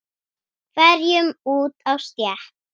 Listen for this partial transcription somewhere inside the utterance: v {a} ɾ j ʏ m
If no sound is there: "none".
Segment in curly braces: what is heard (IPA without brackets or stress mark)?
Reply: ɛ